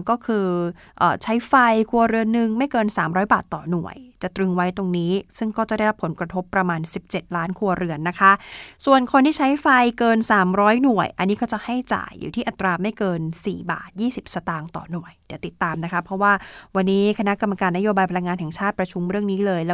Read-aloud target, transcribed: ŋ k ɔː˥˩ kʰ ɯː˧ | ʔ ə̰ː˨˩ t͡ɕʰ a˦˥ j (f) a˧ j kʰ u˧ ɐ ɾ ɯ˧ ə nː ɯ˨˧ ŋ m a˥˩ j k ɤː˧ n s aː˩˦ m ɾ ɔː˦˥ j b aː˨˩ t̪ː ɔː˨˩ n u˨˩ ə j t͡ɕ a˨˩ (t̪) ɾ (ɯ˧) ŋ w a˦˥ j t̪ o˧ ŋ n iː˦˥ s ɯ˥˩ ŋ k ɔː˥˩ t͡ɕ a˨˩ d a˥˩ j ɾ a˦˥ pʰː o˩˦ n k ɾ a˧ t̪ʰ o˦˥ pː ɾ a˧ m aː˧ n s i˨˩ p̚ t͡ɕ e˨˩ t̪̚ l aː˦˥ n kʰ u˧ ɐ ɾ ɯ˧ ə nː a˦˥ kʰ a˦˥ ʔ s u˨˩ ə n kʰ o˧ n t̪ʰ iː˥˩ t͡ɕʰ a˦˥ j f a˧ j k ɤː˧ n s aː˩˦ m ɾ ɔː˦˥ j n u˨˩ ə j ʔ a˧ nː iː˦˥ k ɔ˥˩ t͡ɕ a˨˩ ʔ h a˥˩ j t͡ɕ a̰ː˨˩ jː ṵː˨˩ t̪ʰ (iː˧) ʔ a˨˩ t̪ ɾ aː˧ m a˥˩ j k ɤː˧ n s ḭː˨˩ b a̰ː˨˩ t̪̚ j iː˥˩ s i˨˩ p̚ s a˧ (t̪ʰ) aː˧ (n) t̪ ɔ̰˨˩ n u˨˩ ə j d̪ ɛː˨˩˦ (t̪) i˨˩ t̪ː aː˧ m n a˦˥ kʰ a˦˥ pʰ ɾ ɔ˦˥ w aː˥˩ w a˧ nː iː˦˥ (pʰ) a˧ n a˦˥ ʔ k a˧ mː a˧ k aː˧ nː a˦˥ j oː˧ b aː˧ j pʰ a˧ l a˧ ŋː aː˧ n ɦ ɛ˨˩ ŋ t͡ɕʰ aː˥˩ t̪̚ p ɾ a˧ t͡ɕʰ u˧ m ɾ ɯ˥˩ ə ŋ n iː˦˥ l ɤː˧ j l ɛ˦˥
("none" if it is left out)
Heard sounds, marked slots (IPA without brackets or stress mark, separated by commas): f, t̪, ɯ˧, iː˥˩, t̪, ŋ, t̪, kʰ